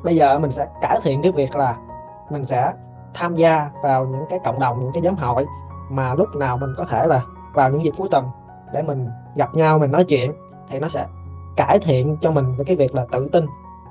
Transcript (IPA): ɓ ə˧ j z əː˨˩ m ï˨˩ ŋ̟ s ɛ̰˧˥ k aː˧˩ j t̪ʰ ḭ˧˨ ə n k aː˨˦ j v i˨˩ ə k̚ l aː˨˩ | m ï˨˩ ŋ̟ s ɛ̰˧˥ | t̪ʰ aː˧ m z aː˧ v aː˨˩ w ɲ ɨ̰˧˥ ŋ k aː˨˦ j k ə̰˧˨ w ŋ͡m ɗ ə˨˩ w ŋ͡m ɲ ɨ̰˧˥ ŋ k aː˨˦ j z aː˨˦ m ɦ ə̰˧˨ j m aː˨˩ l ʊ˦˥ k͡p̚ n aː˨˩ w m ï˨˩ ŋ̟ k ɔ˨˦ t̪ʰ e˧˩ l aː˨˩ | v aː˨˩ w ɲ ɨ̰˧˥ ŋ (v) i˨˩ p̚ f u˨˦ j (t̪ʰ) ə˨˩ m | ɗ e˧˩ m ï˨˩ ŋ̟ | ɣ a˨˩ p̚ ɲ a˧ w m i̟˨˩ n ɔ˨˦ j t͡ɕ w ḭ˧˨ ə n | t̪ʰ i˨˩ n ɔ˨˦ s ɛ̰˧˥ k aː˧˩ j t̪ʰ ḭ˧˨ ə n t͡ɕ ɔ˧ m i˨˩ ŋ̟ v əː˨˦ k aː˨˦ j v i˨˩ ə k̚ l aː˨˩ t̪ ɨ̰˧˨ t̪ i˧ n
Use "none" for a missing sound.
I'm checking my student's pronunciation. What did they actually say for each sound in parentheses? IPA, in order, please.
z, t̪

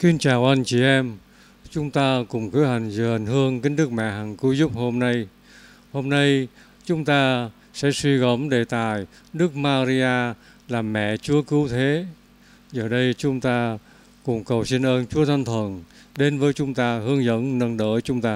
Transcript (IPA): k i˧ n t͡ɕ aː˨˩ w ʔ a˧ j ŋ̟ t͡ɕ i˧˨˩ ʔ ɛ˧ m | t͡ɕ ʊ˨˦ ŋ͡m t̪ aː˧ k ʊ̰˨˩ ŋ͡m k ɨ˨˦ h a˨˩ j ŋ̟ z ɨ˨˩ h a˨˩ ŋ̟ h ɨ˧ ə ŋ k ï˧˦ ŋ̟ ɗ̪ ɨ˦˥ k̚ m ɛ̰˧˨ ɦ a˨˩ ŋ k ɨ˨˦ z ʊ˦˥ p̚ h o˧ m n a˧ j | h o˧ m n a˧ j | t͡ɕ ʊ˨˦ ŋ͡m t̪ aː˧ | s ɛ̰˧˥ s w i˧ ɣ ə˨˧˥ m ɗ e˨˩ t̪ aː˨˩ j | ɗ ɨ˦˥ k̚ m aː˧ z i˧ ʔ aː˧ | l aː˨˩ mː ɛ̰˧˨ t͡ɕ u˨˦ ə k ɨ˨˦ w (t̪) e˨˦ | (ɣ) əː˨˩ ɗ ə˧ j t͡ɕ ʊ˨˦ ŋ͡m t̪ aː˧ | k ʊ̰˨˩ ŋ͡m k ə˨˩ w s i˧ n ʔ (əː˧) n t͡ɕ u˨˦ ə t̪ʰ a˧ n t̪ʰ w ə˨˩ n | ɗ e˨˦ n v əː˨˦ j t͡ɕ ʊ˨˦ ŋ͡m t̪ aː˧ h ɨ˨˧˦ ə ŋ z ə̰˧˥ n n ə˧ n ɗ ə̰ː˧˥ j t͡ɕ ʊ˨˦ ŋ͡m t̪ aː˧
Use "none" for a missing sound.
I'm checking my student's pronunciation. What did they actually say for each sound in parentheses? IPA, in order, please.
t̪ʰ, z, əː˧

